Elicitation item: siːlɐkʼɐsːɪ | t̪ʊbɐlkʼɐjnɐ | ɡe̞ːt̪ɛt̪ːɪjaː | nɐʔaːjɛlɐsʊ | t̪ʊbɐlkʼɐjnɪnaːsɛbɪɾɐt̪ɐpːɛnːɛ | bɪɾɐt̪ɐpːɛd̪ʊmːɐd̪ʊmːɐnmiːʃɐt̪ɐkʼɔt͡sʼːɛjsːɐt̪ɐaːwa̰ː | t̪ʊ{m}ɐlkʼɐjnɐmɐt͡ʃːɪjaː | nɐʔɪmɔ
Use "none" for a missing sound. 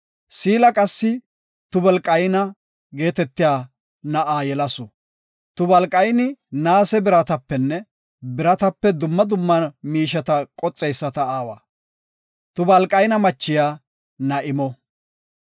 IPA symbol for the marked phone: b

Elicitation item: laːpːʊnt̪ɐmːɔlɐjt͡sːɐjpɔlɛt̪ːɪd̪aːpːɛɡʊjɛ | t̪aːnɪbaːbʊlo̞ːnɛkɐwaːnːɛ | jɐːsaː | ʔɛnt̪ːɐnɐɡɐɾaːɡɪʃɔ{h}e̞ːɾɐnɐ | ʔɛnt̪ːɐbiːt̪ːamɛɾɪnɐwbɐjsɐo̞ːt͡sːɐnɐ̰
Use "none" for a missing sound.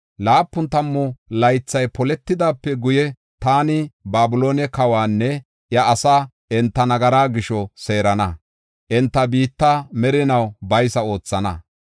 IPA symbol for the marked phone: s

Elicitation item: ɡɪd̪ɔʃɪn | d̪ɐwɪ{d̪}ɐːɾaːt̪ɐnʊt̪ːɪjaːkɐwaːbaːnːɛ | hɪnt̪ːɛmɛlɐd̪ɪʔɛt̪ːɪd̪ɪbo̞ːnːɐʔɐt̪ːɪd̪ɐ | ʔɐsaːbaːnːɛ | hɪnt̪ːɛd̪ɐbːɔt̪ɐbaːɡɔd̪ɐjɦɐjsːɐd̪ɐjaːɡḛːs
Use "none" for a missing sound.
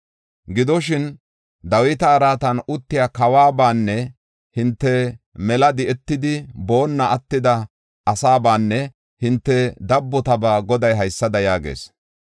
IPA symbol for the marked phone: t̪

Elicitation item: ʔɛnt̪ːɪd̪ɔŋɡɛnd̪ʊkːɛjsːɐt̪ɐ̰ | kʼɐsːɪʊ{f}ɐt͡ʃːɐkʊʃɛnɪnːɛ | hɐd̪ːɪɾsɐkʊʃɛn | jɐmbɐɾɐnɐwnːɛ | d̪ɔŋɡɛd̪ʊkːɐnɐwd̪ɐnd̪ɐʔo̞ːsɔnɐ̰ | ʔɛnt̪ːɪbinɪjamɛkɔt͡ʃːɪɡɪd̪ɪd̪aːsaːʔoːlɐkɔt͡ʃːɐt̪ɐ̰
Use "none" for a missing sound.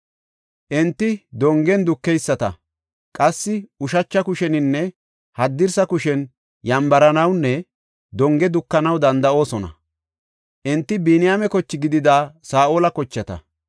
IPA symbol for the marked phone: ʃ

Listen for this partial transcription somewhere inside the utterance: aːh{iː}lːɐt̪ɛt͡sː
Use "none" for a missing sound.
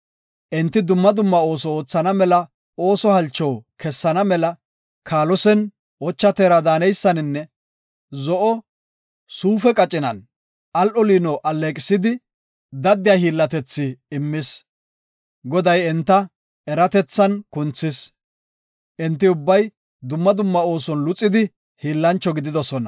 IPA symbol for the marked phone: iː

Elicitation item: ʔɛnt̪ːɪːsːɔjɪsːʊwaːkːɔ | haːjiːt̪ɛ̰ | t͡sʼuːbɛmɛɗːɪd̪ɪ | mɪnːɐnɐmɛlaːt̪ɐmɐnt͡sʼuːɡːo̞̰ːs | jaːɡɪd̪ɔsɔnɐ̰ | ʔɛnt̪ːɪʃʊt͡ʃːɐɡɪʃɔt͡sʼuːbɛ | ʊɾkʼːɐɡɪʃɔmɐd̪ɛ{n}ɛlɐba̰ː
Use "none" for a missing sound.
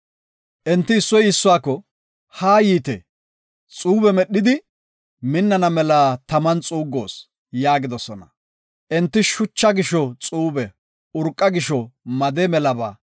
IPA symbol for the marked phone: m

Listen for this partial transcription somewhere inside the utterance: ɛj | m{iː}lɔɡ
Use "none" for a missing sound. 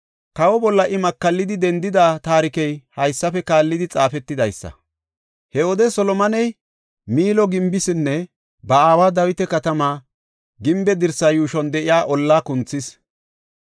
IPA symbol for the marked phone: iː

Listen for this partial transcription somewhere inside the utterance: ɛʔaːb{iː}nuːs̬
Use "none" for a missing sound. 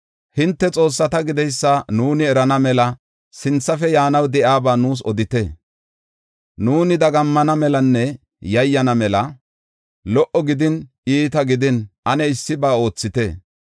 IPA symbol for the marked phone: aː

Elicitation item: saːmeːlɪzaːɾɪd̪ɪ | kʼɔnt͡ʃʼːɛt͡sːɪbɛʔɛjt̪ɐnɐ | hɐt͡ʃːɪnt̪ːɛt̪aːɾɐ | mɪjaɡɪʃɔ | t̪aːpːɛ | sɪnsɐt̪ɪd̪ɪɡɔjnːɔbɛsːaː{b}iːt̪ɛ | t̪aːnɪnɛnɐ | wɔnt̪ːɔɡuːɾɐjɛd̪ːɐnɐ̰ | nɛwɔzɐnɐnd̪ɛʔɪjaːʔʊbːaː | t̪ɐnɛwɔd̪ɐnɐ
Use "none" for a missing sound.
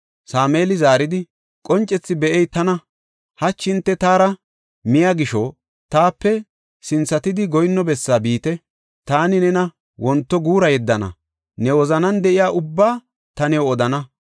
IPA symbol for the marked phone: b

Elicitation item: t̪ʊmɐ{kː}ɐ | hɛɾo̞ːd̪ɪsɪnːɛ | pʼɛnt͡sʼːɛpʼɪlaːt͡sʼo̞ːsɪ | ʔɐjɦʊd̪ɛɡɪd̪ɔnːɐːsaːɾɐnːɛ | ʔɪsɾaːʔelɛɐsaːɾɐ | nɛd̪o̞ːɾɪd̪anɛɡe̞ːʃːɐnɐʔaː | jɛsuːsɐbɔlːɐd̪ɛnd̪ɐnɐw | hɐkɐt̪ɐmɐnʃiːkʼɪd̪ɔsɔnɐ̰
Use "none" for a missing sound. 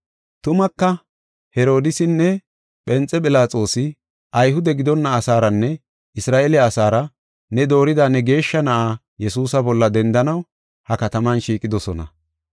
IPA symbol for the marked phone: kː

